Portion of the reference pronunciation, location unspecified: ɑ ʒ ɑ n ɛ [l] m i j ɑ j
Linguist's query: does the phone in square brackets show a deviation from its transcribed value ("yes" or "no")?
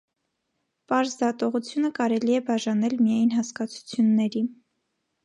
no